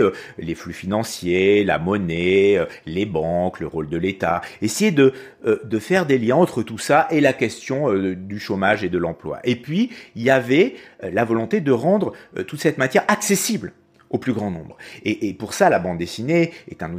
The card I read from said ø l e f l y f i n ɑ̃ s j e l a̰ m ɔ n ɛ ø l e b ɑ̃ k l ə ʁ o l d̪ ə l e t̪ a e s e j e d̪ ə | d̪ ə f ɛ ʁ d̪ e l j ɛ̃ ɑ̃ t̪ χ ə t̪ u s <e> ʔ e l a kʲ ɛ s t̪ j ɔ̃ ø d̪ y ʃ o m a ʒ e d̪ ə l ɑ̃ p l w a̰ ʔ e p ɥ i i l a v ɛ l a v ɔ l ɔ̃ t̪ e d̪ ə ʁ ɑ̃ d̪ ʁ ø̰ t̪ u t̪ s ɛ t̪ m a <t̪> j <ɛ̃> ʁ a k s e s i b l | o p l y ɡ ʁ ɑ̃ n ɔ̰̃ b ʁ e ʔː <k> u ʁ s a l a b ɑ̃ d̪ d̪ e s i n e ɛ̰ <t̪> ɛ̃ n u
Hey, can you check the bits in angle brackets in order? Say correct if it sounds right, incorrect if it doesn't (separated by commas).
incorrect, correct, incorrect, incorrect, correct